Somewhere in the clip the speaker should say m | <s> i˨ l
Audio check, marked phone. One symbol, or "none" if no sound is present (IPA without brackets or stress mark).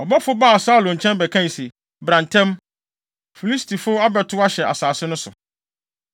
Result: f